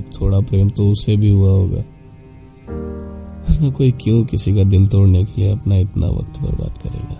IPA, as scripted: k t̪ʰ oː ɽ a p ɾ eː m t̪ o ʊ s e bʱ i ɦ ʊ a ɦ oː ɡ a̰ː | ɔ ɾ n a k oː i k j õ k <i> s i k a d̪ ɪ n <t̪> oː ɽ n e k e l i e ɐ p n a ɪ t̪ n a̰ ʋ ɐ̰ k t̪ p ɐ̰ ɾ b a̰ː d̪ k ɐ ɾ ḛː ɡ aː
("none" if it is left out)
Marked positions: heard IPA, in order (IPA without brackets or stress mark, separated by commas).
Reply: ɪ, t̪